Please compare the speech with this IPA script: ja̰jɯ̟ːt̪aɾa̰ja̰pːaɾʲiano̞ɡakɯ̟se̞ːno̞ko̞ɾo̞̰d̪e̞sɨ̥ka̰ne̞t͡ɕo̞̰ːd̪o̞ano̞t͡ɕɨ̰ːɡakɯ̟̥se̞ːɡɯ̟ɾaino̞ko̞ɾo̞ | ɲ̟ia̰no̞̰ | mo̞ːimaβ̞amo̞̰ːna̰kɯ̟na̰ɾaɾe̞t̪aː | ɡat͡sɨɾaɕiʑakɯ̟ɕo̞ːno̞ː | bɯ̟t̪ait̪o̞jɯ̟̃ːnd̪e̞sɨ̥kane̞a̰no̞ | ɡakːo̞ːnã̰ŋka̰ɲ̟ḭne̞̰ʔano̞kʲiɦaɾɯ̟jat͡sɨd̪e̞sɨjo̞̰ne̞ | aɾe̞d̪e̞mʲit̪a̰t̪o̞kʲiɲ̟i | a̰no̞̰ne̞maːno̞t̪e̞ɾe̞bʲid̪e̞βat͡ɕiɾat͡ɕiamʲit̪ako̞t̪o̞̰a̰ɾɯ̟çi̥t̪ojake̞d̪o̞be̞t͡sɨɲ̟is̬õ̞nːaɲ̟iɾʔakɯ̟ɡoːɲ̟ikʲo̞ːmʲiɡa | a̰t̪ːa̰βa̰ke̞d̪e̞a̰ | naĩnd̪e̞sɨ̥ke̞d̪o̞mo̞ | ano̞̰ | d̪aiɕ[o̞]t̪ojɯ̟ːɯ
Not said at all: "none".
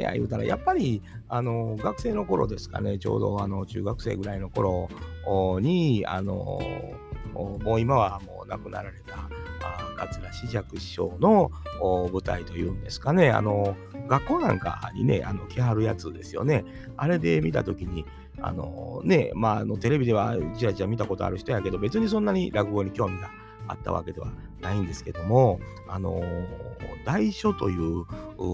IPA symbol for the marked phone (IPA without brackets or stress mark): o̞